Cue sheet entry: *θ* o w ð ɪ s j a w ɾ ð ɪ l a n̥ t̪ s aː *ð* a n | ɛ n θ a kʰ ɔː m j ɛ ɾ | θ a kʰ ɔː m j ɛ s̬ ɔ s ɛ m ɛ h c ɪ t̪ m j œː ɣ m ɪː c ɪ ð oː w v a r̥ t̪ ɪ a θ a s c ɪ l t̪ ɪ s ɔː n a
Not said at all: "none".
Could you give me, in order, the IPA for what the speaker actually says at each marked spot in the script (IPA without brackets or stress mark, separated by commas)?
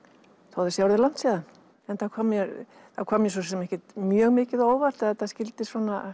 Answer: θ, ð